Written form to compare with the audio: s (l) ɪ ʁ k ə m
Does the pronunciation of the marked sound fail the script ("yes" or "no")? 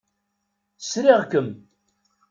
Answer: yes